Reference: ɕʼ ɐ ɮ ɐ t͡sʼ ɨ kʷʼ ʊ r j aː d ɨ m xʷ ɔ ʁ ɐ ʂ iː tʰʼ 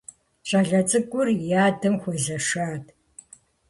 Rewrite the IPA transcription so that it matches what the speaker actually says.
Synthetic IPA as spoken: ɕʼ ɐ ɮ ɐ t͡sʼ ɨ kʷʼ ʊ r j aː d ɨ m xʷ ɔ z ɐ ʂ aː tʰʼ